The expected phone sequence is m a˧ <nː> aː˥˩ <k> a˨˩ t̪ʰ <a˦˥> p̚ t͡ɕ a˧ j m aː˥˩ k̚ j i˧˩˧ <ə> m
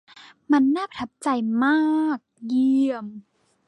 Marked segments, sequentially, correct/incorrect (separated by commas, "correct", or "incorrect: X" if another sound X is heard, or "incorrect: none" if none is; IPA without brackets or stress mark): correct, incorrect: p, correct, correct